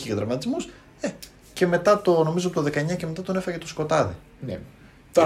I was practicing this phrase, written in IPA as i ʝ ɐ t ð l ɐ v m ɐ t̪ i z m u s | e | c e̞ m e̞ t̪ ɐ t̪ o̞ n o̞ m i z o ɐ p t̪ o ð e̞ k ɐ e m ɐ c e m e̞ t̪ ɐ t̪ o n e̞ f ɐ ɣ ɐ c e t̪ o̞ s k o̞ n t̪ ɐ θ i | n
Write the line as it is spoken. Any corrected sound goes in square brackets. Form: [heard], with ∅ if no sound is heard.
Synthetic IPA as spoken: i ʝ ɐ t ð [ɾ] ɐ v m ɐ t̪ i z m u s | e | c e̞ m e̞ t̪ ɐ t̪ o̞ n o̞ m i z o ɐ p t̪ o ð e̞ k ɐ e [ɲ] ɐ c e m e̞ t̪ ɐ t̪ o n e̞ f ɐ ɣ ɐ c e t̪ o̞ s k o̞ [∅] t̪ ɐ [ð] i | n